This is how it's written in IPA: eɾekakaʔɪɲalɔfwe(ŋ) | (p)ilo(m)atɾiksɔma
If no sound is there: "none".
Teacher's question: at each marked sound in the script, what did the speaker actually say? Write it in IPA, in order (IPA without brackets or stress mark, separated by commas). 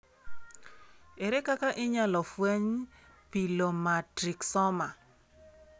ɲ, p, m